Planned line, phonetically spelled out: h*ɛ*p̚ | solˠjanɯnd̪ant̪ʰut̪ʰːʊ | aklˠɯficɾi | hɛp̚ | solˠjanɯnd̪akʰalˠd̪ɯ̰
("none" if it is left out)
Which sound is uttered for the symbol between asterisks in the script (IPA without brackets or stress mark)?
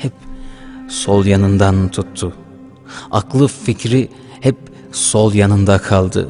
ɛ